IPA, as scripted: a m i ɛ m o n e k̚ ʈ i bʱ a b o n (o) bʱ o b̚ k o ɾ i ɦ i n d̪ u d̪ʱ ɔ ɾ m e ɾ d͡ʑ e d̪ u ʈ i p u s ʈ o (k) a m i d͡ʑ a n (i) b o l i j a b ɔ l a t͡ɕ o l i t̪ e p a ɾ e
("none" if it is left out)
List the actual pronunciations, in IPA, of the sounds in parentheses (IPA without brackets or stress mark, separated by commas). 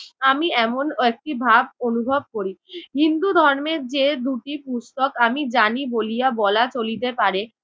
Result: u, k, i